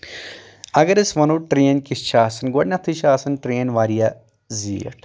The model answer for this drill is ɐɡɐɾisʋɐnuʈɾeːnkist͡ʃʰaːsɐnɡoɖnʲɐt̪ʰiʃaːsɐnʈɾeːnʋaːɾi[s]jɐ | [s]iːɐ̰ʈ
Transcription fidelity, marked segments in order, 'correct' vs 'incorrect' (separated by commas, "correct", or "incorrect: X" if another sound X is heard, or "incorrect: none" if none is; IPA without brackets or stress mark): incorrect: none, incorrect: z